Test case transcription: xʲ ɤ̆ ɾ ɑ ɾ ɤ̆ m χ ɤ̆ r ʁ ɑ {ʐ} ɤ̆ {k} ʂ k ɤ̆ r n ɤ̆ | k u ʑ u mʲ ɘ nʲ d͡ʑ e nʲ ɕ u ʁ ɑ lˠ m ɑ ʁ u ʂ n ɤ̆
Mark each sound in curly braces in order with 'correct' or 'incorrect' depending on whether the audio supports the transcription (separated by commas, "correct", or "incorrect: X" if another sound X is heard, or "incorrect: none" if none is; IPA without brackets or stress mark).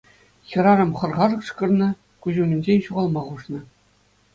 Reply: correct, correct